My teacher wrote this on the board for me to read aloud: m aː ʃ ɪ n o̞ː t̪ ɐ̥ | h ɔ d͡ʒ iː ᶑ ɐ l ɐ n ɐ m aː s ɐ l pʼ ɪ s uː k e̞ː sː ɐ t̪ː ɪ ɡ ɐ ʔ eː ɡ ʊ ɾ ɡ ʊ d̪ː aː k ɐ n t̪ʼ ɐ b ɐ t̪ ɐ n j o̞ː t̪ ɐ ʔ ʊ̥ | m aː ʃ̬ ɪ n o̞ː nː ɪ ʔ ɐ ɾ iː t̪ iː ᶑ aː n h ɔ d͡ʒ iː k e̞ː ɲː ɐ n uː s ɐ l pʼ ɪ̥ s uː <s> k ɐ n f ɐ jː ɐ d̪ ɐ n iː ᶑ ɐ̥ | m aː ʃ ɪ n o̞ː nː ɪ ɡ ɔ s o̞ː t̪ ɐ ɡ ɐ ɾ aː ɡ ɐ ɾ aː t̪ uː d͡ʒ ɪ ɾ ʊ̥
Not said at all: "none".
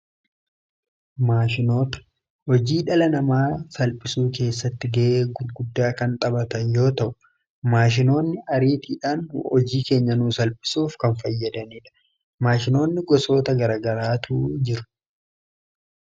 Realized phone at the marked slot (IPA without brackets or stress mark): f